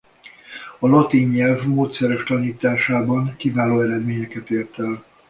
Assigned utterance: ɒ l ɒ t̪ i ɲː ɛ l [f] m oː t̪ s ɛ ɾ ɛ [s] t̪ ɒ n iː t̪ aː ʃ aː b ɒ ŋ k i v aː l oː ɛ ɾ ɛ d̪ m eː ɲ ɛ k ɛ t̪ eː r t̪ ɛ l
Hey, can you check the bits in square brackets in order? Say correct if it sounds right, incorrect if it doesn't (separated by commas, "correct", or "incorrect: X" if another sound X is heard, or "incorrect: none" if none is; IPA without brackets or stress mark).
incorrect: v, incorrect: ʃ